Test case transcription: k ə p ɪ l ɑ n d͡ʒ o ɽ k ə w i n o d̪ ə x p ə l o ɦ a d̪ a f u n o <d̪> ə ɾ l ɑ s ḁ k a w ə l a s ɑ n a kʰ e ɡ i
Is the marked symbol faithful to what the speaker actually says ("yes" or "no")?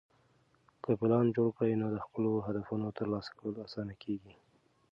no